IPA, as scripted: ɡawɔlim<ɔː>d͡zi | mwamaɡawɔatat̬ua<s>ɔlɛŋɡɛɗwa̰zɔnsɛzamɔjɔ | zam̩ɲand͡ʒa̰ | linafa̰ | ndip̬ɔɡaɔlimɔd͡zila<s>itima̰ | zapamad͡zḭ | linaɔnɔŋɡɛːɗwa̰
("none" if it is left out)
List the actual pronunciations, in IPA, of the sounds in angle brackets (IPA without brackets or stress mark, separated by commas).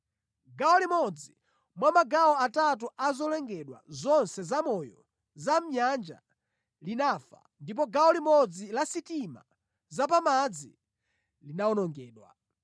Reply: ɔ, z, s